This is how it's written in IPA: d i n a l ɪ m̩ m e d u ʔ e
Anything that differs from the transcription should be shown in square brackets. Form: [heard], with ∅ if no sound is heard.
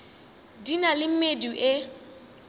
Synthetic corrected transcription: d i n a l ɪ m̩ m e d u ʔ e